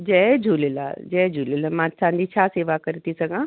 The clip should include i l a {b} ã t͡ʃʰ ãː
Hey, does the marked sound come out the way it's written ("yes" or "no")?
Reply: no